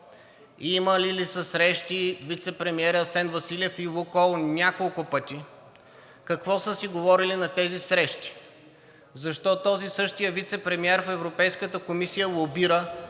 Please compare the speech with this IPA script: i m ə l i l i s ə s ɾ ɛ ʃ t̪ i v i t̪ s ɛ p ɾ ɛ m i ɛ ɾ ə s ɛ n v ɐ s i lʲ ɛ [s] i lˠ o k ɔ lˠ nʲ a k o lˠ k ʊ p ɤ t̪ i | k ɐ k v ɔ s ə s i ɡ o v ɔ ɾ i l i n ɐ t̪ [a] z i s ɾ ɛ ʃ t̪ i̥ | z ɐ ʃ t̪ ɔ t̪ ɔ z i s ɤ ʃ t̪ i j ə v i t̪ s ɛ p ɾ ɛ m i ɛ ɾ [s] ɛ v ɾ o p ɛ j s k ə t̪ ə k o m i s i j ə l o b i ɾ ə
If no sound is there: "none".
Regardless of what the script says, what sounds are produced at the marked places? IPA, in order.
f, ɛ, f

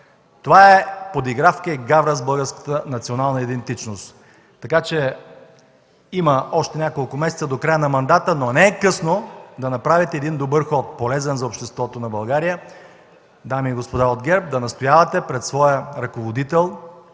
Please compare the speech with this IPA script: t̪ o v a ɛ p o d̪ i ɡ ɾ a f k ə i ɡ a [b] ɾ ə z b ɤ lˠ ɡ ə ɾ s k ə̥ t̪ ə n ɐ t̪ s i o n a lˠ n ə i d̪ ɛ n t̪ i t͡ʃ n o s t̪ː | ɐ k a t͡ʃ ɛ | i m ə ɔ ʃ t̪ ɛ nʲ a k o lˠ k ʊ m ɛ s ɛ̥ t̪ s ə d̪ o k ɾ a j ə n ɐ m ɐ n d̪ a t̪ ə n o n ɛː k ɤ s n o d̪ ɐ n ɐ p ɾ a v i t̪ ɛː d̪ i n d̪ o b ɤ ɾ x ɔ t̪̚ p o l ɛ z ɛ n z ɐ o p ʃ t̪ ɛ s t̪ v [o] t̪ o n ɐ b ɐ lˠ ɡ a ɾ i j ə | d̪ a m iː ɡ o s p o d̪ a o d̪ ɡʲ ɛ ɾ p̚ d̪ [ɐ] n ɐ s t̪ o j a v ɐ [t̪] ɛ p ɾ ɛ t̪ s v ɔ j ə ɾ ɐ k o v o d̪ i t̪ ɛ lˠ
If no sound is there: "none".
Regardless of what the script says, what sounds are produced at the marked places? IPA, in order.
v, ɔ, ɐ, t̪

